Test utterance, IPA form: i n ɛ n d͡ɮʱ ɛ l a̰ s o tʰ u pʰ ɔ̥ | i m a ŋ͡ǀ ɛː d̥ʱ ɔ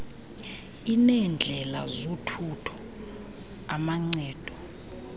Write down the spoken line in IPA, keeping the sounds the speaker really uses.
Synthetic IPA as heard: i n ɛ n d͡ɮʱ ɛ l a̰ z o tʰ u tʰ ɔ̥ | a m a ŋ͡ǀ ɛː d̥ʱ ɔ